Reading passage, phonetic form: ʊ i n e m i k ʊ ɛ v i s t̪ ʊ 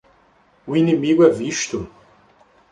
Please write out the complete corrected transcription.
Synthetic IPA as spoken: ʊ i n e m i ɡ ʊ ɛ v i ʃ t̪ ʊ